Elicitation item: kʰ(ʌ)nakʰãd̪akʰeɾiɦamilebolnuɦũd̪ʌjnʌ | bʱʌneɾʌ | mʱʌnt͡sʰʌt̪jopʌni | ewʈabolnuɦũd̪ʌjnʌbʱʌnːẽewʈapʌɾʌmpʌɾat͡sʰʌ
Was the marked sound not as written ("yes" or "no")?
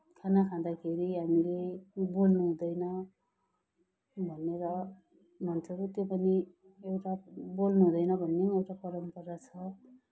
yes